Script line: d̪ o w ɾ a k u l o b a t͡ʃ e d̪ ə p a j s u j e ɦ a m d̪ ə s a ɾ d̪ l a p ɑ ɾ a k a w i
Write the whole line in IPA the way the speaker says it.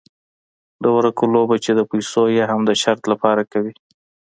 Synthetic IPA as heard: d̪ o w ɾ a k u l o b a t͡ʃ e d̪ ə p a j s o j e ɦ a m d̪ ə ʃ a ɾ t̪ l a p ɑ ɾ a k a w i